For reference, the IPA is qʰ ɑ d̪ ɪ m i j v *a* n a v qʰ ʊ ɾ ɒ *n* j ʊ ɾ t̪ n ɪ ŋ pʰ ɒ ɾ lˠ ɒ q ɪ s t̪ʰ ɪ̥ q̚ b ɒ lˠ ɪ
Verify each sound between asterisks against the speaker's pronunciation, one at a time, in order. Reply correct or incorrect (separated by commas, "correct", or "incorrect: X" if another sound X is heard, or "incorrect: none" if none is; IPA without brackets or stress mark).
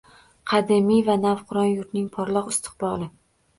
correct, correct